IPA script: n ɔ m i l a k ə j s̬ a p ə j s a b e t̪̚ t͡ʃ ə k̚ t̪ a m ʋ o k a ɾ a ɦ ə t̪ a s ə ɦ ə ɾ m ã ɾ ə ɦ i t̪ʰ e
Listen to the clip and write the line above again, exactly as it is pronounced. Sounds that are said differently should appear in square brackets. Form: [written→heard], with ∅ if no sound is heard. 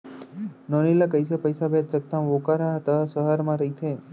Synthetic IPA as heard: n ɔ [m→n] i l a k ə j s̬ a p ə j s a b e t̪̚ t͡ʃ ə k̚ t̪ a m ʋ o k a ɾ a ɦ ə t̪ a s ə ɦ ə ɾ m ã ɾ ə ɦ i t̪ʰ e